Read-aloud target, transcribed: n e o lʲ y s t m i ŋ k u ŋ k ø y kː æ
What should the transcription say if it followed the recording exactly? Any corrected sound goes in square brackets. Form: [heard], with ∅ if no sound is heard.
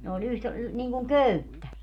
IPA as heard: n e o lʲ y [h] t [n] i ŋ k u ŋ k ø y [tː] æ